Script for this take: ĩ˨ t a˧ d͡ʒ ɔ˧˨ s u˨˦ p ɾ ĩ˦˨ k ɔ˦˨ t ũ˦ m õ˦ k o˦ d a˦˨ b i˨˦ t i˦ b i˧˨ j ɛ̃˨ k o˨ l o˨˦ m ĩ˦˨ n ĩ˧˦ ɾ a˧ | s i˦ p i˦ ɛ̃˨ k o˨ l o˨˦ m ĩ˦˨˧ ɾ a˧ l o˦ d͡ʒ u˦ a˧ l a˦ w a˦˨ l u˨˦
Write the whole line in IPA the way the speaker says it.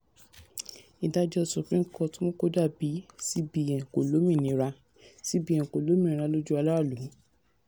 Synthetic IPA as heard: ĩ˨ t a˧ d͡ʒ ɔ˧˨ s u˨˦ p ɾ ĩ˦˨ k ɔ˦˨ t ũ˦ m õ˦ k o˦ d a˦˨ b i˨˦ s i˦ b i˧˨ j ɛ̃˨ k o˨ l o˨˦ m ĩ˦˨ n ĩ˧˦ ɾ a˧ | s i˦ b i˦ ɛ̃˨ k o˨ l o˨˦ m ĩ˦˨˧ ɾ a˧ l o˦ d͡ʒ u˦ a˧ l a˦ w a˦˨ l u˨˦